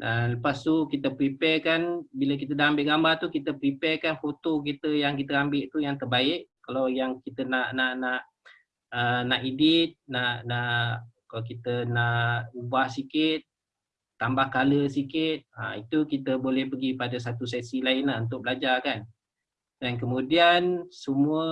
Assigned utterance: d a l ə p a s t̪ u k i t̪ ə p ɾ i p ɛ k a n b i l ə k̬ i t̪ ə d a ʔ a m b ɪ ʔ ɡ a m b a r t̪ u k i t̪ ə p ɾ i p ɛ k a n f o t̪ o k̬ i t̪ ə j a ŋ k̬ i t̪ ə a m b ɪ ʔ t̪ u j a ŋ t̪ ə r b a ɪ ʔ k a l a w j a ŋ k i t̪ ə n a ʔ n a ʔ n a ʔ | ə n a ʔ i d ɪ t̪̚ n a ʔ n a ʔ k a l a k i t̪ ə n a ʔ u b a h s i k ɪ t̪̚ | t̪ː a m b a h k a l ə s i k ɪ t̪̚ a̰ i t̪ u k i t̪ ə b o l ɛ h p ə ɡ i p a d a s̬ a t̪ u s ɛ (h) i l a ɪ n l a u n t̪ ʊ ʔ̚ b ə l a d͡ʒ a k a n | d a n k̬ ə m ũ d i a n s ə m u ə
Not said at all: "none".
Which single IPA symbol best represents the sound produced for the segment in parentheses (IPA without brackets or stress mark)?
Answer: s